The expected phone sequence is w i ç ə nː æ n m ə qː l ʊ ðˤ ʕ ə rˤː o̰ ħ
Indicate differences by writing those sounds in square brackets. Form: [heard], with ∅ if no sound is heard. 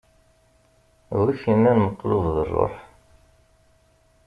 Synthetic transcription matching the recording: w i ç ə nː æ n m ə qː l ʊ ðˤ [ð] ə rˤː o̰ ħ